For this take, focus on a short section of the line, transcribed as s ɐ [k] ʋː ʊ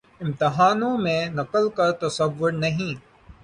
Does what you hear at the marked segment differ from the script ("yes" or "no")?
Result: yes